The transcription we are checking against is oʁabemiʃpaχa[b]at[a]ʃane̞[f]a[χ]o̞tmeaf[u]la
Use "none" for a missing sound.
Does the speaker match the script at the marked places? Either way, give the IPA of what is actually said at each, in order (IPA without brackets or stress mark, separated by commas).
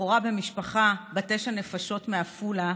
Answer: b, e, f, ʃ, u